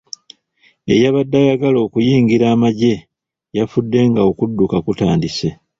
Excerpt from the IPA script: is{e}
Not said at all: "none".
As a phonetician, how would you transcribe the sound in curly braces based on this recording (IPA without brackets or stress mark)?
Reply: e